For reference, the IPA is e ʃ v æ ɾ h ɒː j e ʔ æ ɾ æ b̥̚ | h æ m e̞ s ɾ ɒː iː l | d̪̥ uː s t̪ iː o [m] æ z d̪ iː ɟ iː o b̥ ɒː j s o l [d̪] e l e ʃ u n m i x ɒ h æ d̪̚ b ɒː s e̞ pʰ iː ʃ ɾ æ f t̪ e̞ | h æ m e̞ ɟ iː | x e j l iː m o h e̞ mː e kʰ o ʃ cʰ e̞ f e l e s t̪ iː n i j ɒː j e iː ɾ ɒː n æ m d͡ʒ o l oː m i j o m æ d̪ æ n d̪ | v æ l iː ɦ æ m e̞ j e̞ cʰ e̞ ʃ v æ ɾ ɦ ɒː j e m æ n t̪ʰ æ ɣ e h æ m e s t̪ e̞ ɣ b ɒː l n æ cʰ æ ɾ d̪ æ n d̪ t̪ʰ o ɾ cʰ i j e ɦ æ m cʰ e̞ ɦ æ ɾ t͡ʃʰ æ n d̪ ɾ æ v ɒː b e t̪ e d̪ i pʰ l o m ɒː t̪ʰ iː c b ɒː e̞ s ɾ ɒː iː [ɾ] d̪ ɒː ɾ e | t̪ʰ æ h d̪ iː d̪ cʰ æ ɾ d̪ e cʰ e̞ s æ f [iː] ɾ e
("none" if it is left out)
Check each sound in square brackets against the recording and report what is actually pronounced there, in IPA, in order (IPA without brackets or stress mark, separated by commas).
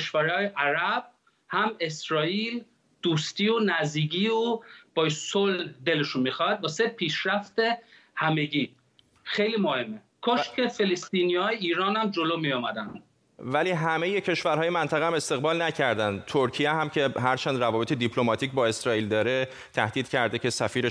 n, d̪, l, iː